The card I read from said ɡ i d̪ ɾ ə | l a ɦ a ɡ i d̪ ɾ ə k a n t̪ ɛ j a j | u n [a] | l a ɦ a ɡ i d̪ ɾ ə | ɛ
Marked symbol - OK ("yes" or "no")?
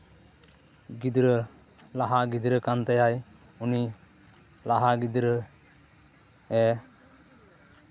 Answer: no